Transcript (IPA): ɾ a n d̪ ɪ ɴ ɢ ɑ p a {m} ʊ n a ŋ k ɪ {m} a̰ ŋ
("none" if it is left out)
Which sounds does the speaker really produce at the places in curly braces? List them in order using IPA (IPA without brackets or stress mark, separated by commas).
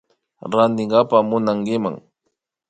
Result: m, m